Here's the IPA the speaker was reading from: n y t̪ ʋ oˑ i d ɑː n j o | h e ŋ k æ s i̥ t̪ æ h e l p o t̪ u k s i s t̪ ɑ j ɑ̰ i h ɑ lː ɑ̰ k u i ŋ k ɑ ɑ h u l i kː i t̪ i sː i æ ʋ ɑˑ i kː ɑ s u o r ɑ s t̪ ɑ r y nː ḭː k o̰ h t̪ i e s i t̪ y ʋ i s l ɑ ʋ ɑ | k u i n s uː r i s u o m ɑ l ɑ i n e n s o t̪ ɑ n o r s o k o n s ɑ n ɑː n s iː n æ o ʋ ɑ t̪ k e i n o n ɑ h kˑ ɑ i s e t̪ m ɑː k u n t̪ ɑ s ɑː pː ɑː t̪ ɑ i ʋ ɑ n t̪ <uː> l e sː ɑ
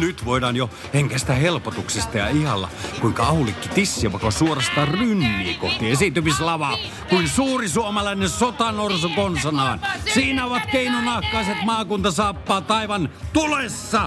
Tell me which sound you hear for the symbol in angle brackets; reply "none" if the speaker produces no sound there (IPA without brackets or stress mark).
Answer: u